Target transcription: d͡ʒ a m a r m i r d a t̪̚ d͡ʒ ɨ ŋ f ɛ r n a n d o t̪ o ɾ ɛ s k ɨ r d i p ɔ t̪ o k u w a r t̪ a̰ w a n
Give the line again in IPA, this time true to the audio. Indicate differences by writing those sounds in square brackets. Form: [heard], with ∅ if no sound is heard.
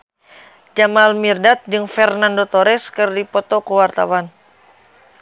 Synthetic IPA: d͡ʒ a m a [l] m i r d a t̪̚ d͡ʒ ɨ ŋ f ɛ r n a n d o t̪ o ɾ ɛ s k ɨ r d i p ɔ t̪ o k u w a r t̪ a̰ w a n